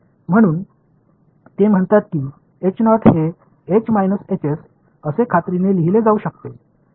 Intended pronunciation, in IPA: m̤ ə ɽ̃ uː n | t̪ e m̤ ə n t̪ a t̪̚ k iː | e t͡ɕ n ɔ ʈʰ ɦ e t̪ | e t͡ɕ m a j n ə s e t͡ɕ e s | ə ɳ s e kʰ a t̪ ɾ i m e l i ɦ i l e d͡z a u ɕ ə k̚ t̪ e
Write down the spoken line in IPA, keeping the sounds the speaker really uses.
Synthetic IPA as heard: m̤ ə ɽ̃ uː n | t̪ e m̤ ə ɳ t̪ a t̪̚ k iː | e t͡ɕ n ɔ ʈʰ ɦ e | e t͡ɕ m a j n ə s e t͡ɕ e s | ə s e kʰ a t̪ ɾ i n e l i ɦ i l e d͡z a u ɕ ə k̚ t̪ e